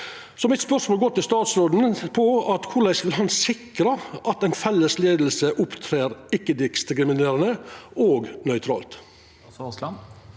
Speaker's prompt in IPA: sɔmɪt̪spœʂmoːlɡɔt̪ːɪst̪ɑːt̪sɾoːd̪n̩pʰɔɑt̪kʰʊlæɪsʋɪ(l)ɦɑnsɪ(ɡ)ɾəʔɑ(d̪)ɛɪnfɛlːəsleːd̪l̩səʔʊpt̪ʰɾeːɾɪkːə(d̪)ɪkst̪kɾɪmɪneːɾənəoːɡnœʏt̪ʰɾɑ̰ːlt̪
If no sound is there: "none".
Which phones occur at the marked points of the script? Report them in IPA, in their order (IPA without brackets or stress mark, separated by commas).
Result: l, k, t̪, d̪